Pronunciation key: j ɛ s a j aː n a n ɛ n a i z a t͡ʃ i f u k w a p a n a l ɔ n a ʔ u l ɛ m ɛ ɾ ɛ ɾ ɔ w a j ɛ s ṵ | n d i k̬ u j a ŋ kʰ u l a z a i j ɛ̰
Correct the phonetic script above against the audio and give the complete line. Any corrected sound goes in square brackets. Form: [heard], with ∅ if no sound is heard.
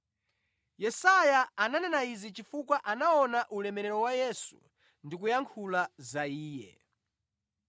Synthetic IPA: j ɛ s a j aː n a n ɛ n a i z [i] t͡ʃ i f u k w a [ʔ] a n a [∅] ɔ n a ʔ u l ɛ m ɛ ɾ ɛ ɾ ɔ w a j ɛ s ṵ | n d i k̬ u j a ŋ kʰ u l a z a [iː] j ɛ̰